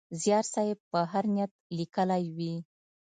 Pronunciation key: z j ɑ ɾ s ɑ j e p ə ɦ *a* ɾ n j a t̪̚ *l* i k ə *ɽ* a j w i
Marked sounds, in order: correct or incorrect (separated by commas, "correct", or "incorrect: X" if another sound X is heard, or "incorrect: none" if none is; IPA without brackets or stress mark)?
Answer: correct, correct, incorrect: l